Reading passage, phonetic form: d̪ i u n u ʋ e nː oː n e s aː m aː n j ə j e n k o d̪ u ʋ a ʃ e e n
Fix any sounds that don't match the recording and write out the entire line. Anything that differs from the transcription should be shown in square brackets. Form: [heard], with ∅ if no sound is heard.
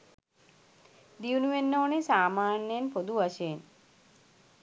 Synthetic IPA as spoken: d̪ i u n u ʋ e nː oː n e s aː m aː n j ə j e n [p] o d̪ u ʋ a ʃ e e n